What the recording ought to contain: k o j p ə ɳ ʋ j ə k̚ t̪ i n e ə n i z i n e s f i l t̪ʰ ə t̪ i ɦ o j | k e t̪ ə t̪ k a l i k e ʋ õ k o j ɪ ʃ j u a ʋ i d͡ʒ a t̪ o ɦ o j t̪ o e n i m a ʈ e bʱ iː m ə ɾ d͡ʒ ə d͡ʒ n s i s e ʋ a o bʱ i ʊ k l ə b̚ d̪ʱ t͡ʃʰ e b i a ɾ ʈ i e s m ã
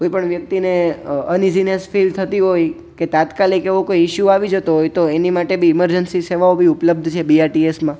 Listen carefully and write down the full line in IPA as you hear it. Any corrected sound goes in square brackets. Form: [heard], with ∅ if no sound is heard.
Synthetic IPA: k o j p ə ɳ ʋ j ə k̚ t̪ i n e ə n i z i n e s f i l t̪ʰ ə t̪ i ɦ o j | k e t̪ [a] t̪ k a l i k e ʋ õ k o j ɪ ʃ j u a ʋ i d͡ʒ [ə] t̪ o ɦ o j t̪ o e n i m a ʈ e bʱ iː m ə ɾ d͡ʒ ə [∅] n s i s e ʋ a o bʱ i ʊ [p] l ə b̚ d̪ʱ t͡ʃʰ e b i a ɾ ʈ i e s m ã

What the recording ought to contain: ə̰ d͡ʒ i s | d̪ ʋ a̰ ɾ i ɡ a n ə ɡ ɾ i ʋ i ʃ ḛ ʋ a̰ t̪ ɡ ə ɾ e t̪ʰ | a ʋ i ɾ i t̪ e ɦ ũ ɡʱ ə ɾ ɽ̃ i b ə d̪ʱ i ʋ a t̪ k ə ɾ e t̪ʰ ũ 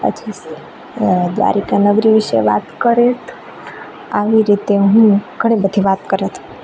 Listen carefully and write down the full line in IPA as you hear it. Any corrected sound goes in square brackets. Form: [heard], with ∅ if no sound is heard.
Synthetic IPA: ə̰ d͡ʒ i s | d̪ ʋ a̰ ɾ i [k] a n ə ɡ ɾ i ʋ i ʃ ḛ ʋ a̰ t̪ [k] ə ɾ e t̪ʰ | a ʋ i ɾ i t̪ e ɦ ũ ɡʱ ə [∅] ɽ̃ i b ə d̪ʱ i ʋ a t̪ k ə ɾ e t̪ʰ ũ

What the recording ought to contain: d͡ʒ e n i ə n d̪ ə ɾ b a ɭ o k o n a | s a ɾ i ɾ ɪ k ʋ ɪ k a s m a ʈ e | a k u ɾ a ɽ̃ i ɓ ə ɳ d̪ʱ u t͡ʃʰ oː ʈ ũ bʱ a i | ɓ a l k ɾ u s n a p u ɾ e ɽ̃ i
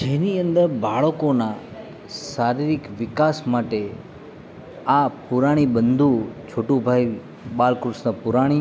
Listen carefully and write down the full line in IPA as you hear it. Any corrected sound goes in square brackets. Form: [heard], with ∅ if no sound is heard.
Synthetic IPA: d͡ʒ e n i ə n d̪ ə ɾ b a ɭ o k o n a | s a ɾ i ɾ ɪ k ʋ ɪ k a s m a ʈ e | a [p] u ɾ a ɽ̃ i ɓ ə [n] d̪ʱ u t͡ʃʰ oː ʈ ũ bʱ a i | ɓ a l k ɾ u s n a p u ɾ [a] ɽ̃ i

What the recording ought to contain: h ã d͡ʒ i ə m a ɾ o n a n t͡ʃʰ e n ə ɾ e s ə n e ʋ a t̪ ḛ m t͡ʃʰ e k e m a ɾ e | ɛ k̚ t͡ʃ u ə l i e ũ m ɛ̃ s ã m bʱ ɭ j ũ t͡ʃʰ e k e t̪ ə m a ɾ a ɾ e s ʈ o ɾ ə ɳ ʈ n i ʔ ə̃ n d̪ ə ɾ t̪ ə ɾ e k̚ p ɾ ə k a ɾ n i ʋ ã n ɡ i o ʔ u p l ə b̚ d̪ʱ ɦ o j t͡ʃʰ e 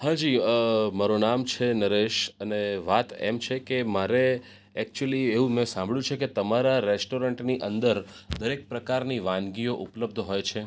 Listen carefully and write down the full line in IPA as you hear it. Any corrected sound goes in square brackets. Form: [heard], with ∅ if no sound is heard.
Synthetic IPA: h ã d͡ʒ i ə m a ɾ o n a [m] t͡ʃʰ e n ə ɾ e [ʃ] ə n e ʋ a t̪ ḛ m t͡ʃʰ e k e m a ɾ e | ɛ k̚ t͡ʃ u ə l i e ũ m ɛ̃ s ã m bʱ ɭ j ũ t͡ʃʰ e k e t̪ ə m a ɾ a ɾ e s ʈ o ɾ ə ɳ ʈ n i ʔ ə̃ n d̪ ə ɾ [d̪] ə ɾ e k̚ p ɾ ə k a ɾ n i ʋ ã n ɡ i o ʔ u p l ə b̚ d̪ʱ ɦ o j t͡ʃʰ e

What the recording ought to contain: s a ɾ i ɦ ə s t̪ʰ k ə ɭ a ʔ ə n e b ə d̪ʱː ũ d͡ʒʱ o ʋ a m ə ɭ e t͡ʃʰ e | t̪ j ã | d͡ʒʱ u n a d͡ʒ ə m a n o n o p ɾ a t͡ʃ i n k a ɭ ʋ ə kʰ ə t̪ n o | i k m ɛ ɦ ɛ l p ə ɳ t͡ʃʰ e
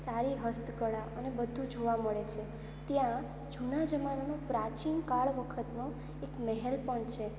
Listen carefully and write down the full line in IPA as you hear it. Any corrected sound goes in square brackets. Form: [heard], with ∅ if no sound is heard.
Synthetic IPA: s a ɾ i ɦ ə s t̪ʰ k ə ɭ a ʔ ə n e b ə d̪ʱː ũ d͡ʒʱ o ʋ a m ə ɭ e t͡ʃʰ e | t̪ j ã | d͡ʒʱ u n a d͡ʒ ə m a n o n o p ɾ a t͡ʃ i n k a ɭ ʋ ə kʰ ə t̪ n o | [e] k m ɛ ɦ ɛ l p ə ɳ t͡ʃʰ e

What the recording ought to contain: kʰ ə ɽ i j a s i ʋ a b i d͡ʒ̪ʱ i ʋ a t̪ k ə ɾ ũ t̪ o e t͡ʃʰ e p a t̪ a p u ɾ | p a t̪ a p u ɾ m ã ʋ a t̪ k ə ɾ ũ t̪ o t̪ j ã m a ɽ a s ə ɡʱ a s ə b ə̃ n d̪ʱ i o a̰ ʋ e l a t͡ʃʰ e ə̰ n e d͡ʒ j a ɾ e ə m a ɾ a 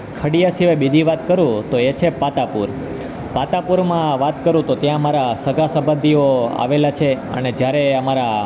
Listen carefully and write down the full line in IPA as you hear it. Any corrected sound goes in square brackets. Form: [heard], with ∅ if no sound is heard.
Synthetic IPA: kʰ ə ɽ i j a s i ʋ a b i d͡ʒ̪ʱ i ʋ a t̪ k ə ɾ ũ t̪ o e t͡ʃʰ e p a t̪ a p u ɾ | p a t̪ a p u ɾ m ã ʋ a t̪ k ə ɾ ũ t̪ o t̪ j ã m a [ɾ] a s ə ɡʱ a s ə b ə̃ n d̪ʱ i o a̰ ʋ e l a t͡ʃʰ e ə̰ n e d͡ʒ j a ɾ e ə m a ɾ a

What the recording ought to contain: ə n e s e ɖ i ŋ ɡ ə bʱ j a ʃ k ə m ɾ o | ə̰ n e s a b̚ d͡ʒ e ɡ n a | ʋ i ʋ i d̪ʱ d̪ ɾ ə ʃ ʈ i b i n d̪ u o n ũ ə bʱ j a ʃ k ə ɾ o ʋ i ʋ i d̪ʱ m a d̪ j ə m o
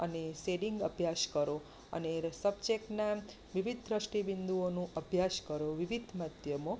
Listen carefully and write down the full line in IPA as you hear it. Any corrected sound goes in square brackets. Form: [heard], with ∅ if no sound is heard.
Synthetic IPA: ə n e s e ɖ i ŋ ɡ ə bʱ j a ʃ k ə [∅] ɾ o | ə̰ n e s [ə] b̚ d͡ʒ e [k] n a | ʋ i ʋ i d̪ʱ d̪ ɾ ə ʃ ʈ i b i n d̪ u o n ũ ə bʱ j a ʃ k ə ɾ o ʋ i ʋ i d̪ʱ m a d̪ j ə m o

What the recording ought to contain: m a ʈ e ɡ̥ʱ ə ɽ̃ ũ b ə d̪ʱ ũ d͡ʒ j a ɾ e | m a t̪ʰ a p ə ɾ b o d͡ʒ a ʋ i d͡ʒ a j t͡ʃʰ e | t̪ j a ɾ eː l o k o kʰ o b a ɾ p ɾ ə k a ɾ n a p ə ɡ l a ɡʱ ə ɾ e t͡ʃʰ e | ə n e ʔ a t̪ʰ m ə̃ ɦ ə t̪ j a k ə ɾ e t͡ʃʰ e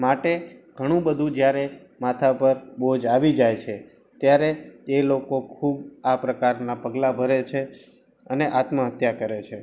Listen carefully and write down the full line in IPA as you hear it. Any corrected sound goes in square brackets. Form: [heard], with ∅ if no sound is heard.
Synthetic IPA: m a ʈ e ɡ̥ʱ ə ɽ̃ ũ b ə d̪ʱ ũ d͡ʒ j a ɾ e | m a t̪ʰ a p ə ɾ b o d͡ʒ a ʋ i d͡ʒ a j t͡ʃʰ e | t̪ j a ɾ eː l o k o kʰ [u] b a [∅] p ɾ ə k a ɾ n a p ə ɡ l a [bʱ] ə ɾ e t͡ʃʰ e | ə n e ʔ a [t̪] m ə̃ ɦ ə t̪ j a k ə ɾ e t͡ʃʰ e

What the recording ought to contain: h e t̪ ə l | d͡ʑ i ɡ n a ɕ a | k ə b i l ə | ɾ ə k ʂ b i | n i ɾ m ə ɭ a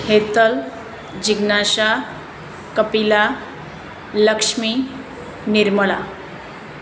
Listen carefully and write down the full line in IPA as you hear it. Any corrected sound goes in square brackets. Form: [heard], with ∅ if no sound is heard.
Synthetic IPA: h e t̪ ə l | d͡ʑ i ɡ n a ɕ a | k ə [p] i l [a] | [l] ə k ʂ [m] i | n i ɾ m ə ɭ a

